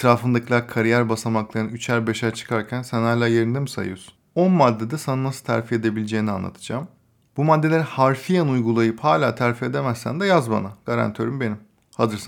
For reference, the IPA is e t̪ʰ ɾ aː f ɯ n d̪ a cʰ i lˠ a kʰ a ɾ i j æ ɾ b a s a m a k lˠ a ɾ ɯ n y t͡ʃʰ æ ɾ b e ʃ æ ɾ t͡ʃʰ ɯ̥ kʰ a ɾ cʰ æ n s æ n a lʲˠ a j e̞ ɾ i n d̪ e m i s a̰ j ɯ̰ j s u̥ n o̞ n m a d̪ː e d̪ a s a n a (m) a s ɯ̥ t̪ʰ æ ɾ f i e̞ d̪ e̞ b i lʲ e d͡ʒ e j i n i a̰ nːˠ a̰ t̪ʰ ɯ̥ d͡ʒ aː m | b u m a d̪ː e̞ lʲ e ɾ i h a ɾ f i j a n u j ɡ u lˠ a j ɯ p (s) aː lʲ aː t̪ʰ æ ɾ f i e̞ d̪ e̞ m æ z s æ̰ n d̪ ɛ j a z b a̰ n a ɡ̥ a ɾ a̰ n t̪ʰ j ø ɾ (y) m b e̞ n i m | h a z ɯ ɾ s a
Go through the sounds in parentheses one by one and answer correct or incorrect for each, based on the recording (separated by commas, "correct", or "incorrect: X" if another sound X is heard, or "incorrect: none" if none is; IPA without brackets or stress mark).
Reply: incorrect: n, incorrect: h, correct